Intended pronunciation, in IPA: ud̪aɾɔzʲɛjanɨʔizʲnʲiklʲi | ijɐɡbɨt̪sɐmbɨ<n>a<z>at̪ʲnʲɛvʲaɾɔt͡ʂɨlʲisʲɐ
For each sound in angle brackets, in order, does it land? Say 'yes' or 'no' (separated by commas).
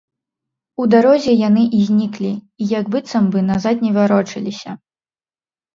yes, yes